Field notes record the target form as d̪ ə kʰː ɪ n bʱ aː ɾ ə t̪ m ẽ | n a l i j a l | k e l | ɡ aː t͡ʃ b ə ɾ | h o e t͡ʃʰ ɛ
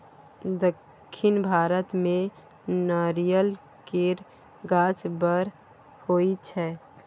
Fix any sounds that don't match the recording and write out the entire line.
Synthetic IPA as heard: d̪ ə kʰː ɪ n bʱ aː ɾ ə t̪ m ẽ | n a ɾ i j ə l | k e ɾ | ɡ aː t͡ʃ b ə ɾ | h o i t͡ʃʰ ɛ